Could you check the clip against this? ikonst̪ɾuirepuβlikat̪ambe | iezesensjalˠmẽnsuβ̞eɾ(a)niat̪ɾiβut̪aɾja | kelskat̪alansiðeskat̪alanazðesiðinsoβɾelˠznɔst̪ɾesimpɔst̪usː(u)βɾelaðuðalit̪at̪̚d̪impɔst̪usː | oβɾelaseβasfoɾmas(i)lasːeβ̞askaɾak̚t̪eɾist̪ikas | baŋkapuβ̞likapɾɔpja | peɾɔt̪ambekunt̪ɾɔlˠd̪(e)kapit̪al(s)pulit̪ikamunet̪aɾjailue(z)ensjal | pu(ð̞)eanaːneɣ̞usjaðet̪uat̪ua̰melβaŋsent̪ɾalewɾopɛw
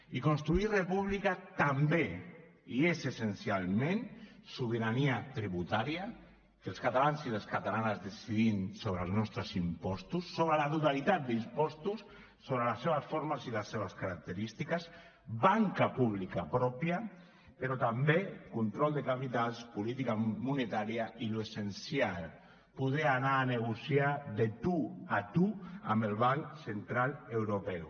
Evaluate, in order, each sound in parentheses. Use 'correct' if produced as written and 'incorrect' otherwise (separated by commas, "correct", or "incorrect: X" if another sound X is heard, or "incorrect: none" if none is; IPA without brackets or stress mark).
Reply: correct, incorrect: o, correct, correct, correct, incorrect: s, correct